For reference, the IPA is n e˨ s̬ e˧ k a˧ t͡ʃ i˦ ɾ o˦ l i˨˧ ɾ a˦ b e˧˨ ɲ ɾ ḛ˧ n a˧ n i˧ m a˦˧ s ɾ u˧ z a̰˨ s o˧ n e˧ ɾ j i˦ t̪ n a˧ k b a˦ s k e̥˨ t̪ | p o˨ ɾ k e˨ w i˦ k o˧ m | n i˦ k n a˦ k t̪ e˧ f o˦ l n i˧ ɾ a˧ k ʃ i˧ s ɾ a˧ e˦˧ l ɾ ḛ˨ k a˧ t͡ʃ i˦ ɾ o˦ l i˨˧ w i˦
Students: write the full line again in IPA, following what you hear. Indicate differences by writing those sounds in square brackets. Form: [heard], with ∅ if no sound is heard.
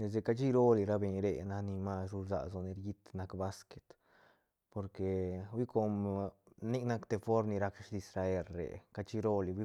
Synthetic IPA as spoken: n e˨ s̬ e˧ k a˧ t͡ʃ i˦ ɾ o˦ l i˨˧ ɾ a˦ b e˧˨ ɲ ɾ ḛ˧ n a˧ n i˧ m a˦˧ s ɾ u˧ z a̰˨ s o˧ n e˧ ɾ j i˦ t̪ n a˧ k b a˦ s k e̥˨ t̪ | p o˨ ɾ k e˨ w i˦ k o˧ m | n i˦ k n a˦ k t̪ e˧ f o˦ [ɾ] n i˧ ɾ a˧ k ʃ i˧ s ɾ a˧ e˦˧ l ɾ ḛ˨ k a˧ t͡ʃ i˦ ɾ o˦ l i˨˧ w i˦